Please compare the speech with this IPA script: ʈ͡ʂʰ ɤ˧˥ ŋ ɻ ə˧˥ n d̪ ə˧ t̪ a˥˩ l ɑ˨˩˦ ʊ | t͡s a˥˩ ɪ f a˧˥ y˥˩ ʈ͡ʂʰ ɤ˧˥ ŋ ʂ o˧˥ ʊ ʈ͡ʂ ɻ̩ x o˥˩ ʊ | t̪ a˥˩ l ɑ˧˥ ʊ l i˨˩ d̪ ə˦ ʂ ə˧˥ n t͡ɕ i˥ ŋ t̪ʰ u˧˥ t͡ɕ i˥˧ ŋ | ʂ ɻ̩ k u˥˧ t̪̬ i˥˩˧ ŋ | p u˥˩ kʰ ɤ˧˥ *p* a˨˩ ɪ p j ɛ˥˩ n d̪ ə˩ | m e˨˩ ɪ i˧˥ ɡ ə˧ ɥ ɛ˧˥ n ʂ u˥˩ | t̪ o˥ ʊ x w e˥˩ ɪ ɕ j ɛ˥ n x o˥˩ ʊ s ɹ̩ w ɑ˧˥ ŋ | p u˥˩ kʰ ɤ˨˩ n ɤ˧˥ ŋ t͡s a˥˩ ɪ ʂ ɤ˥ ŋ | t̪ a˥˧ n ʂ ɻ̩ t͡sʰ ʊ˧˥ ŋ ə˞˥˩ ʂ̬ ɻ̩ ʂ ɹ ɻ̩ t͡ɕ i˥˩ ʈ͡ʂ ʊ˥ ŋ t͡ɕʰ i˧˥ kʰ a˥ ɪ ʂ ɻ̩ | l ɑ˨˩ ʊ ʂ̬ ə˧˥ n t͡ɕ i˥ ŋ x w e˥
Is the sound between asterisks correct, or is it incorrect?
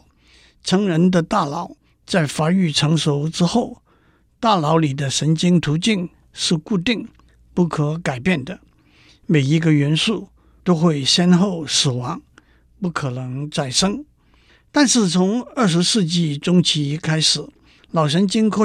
incorrect